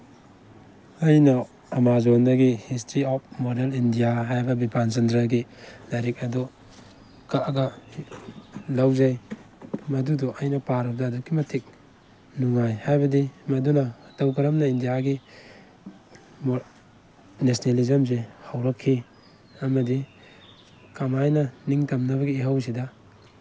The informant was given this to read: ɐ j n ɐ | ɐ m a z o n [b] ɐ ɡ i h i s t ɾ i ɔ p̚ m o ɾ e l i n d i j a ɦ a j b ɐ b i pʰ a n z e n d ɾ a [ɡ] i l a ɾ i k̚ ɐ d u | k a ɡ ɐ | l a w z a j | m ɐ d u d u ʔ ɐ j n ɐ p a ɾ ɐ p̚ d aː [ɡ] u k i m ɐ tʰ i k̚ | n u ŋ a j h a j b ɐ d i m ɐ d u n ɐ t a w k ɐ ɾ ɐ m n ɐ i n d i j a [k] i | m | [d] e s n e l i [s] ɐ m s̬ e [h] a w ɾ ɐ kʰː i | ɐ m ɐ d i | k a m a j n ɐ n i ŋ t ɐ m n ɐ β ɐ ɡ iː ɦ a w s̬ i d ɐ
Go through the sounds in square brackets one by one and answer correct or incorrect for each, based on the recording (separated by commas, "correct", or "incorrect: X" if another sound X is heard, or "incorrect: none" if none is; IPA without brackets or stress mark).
incorrect: d, correct, incorrect: d, incorrect: ɡ, incorrect: n, incorrect: z, correct